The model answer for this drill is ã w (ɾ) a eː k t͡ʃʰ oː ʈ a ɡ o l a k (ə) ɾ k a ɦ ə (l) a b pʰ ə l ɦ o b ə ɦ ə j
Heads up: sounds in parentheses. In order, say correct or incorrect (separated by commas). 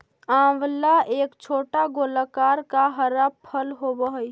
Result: incorrect, incorrect, incorrect